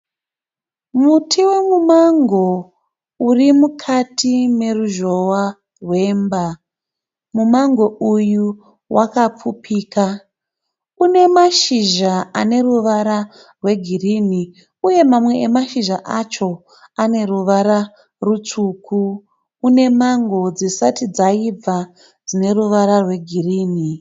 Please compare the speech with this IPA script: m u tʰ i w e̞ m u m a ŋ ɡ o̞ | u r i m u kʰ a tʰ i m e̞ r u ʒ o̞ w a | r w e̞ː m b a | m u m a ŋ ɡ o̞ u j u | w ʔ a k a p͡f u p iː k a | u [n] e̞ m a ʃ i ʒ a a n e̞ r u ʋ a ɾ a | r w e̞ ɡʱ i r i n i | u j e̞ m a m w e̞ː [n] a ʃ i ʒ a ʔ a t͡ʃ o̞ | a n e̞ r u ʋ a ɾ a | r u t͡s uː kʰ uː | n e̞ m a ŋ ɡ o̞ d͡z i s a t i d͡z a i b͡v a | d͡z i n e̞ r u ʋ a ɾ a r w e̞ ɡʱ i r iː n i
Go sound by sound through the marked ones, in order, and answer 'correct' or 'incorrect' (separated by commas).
correct, incorrect